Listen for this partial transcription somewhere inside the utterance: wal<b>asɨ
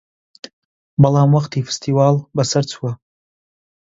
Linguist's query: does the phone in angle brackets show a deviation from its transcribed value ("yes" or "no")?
no